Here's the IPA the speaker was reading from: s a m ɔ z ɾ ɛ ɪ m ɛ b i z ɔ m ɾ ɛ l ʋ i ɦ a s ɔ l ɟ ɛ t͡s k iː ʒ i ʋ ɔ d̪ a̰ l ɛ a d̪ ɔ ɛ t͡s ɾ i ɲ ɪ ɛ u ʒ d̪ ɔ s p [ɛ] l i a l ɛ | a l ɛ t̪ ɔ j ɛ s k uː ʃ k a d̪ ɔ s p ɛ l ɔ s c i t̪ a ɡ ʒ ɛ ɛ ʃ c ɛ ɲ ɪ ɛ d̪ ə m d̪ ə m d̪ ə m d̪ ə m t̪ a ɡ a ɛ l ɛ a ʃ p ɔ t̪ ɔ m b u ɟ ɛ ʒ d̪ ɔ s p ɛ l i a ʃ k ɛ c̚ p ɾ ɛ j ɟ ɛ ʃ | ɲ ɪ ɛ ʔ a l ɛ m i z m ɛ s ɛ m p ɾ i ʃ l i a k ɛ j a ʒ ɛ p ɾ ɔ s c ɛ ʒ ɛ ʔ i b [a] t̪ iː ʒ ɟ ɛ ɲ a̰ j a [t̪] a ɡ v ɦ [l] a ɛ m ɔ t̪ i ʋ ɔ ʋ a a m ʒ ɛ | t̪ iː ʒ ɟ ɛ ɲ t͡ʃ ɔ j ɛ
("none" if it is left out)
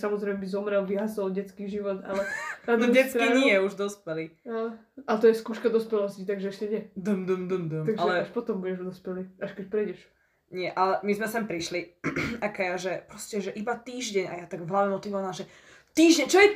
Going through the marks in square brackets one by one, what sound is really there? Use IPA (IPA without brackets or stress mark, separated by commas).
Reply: ɛ, a, t̪, l